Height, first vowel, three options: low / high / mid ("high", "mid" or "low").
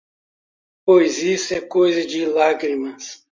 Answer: mid